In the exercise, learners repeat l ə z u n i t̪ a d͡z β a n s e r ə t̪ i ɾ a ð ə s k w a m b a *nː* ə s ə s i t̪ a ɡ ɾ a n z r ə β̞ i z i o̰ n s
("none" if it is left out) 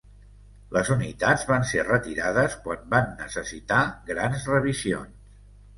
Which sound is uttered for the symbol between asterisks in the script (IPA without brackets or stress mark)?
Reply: nː